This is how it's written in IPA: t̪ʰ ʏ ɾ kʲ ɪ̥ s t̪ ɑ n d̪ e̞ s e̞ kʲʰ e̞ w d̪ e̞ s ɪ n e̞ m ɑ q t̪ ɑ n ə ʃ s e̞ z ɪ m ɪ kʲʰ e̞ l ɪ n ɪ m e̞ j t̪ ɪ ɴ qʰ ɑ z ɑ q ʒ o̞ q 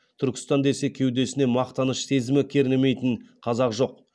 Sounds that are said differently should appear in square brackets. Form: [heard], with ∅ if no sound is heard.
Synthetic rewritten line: t̪ʰ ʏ ɾ kʲ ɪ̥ s t̪ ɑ n d̪ e̞ s e̞ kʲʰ e̞ w d̪ e̞ s ɪ n e̞ m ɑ q t̪ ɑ n ə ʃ s e̞ z ɪ m ɪ kʲʰ e̞ [ɾ] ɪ n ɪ m e̞ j t̪ ɪ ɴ qʰ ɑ z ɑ q ʒ o̞ q